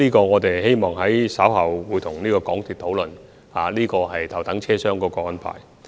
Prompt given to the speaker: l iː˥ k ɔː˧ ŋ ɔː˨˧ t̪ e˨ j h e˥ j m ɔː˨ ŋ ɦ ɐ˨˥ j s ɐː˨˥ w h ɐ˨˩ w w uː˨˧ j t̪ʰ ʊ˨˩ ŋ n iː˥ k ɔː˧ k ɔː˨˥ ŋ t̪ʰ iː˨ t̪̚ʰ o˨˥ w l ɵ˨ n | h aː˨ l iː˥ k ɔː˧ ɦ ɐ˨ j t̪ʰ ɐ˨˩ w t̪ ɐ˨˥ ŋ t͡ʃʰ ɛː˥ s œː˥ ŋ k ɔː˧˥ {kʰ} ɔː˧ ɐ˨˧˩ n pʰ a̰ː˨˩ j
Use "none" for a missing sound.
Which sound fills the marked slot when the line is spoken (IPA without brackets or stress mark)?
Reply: k